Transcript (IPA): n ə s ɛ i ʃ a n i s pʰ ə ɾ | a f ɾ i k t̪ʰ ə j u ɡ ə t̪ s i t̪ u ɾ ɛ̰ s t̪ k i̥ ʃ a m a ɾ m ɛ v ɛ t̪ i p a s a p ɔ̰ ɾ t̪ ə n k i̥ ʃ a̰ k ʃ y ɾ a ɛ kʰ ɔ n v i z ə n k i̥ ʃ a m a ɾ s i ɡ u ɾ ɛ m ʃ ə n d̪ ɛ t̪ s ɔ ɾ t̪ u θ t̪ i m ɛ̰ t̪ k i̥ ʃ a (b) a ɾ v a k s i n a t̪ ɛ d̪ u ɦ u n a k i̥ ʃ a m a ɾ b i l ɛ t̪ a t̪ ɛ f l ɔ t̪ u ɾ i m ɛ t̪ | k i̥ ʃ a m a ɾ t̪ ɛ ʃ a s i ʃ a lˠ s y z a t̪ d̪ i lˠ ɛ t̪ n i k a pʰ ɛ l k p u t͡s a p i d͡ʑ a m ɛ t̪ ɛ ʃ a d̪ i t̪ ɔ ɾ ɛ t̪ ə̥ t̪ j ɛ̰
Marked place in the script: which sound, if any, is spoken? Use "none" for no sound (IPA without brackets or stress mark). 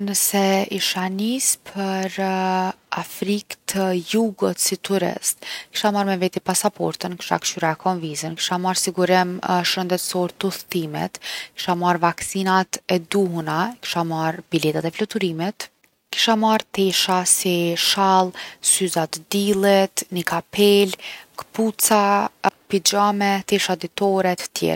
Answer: m